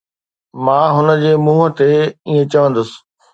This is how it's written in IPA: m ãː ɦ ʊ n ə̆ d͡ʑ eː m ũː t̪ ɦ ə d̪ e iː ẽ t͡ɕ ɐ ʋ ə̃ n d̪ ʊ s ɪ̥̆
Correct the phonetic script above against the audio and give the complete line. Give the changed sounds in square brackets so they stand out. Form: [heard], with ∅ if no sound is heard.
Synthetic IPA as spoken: m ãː ɦ ʊ n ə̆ d͡ʑ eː m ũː [∅] ɦ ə [t̪] e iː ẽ t͡ɕ ɐ ʋ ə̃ n d̪ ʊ s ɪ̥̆